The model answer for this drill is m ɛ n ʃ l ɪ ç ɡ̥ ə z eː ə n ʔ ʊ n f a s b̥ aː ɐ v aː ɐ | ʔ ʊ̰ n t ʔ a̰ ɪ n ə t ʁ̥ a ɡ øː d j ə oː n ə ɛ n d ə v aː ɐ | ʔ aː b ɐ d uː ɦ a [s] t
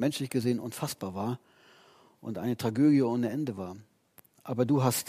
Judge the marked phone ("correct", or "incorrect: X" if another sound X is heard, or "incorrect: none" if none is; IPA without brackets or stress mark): correct